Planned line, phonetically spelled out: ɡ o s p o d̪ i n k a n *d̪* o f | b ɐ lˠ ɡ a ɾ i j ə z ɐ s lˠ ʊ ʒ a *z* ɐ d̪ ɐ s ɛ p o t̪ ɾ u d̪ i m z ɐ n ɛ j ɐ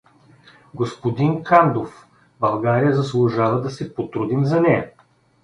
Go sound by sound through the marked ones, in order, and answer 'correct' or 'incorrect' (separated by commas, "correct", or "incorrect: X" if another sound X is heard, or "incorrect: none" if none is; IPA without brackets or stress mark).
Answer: correct, incorrect: v